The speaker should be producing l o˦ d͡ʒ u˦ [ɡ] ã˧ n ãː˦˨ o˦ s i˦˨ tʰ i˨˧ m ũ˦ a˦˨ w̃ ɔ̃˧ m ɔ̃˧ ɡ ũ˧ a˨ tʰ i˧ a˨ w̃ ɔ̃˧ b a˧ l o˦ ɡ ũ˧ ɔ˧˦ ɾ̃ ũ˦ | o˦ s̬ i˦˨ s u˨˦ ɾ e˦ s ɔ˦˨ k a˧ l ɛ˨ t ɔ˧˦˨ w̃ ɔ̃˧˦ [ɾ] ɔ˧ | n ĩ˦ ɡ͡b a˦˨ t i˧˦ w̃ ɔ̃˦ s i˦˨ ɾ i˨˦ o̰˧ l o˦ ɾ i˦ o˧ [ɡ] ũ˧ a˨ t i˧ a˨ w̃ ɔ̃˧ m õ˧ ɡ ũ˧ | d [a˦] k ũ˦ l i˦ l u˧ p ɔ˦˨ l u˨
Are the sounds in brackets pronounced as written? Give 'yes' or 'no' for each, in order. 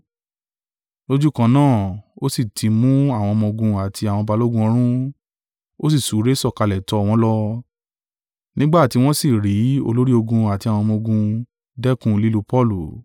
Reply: no, no, yes, no

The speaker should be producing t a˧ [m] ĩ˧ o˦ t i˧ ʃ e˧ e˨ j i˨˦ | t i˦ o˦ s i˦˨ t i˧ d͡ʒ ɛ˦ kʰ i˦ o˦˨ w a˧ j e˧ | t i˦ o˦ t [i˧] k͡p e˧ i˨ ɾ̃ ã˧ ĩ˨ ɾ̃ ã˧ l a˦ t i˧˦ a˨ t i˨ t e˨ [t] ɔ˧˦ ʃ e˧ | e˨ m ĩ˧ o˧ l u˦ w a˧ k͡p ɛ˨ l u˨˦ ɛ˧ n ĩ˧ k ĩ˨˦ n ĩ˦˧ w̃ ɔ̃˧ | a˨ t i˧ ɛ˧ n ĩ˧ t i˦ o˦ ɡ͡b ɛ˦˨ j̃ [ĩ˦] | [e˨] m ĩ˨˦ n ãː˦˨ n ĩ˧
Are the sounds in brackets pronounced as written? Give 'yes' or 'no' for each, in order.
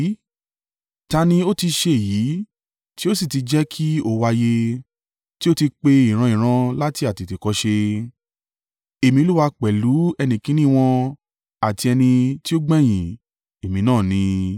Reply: no, yes, no, no, yes

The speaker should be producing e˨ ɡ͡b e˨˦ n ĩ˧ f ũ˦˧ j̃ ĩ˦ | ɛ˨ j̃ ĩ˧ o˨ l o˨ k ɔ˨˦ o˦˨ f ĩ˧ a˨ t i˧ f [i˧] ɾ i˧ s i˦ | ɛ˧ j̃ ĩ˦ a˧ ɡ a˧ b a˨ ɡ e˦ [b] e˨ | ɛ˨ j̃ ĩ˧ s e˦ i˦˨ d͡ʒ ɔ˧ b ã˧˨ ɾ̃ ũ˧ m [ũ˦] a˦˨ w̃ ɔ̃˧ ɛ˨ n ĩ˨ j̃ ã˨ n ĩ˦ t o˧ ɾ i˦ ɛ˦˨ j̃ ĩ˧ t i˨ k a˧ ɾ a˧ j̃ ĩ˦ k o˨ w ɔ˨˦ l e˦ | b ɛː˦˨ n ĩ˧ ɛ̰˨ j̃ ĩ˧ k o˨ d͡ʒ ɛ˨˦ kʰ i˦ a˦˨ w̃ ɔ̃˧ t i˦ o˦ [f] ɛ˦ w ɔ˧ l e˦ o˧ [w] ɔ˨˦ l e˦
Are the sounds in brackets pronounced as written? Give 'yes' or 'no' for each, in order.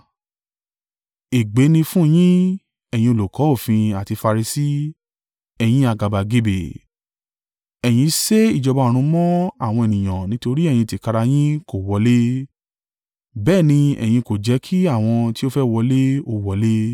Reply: no, yes, no, yes, yes

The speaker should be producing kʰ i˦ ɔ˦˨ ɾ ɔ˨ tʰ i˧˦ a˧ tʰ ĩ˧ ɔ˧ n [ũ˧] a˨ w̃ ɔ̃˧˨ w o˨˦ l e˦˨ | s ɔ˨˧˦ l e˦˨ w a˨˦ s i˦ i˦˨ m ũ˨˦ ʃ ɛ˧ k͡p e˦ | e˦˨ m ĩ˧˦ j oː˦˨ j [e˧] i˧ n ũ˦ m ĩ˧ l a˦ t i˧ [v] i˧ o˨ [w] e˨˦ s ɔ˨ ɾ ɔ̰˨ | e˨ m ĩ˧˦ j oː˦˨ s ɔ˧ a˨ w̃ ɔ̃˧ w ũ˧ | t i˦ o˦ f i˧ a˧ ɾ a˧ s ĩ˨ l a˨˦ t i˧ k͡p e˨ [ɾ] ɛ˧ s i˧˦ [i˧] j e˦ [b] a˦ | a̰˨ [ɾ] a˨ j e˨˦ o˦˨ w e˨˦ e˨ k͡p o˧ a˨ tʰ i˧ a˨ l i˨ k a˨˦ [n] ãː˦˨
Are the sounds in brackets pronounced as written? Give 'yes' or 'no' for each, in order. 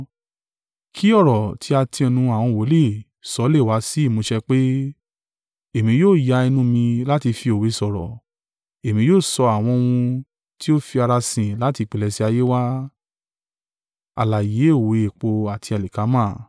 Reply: yes, no, no, yes, no, no, no, no, no

